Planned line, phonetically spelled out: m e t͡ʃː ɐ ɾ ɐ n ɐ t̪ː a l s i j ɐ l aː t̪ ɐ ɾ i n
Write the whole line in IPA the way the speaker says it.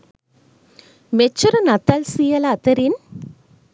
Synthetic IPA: m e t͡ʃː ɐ ɾ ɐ n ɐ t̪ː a l s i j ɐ l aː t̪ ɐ ɾ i n